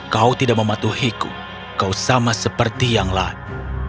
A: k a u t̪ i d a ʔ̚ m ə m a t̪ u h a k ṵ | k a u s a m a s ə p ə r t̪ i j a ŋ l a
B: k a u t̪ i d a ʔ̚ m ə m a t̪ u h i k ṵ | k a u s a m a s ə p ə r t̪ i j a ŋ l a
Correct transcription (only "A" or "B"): B